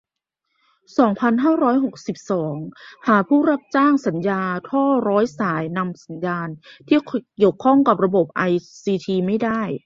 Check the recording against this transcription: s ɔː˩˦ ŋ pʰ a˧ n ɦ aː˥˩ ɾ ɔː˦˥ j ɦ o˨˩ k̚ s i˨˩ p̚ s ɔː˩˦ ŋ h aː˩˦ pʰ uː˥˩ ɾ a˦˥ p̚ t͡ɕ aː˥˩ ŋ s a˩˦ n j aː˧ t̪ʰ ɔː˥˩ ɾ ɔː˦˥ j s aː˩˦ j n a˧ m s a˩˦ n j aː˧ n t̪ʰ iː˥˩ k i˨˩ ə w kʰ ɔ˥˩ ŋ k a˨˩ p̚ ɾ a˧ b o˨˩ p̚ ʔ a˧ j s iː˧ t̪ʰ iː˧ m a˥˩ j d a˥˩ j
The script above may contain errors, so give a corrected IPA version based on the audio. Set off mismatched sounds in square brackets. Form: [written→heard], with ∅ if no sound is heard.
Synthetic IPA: s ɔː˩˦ ŋ pʰ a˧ n ɦ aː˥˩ ɾ ɔː˦˥ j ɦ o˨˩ k̚ s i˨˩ p̚ s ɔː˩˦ ŋ h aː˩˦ pʰ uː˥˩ ɾ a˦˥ p̚ t͡ɕ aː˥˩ ŋ s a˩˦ n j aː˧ t̪ʰ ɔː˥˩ ɾ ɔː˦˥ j s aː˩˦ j n a˧ m s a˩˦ n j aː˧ n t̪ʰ iː˥˩ k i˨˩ ə w kʰ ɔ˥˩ ŋ k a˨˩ p̚ ɾ a˧ b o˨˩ p̚ ʔ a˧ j s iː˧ t̪ʰ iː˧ m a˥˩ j d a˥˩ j